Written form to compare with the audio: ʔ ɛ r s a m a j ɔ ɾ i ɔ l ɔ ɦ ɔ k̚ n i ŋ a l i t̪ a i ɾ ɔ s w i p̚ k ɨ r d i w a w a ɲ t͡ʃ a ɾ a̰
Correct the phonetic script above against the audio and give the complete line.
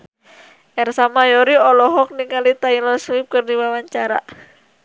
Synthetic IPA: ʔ ɛ r s a m a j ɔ ɾ i ɔ l ɔ ɦ ɔ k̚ n i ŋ a l i t̪ a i l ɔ s w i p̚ k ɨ r d i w a w a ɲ t͡ʃ a ɾ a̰